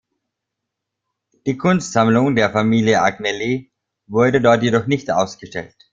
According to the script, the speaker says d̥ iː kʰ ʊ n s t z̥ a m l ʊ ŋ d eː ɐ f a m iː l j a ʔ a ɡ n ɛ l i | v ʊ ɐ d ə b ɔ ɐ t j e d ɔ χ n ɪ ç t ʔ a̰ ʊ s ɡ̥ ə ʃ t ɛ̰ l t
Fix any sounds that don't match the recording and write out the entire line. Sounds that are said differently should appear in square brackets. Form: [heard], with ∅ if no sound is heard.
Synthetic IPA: d̥ iː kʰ ʊ n s t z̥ a m l ʊ ŋ d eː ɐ f a m iː l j [ə] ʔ a ɡ n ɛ l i | v ʊ ɐ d ə [d] ɔ ɐ t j e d ɔ χ n ɪ ç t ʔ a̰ ʊ s ɡ̥ ə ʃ t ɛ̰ l t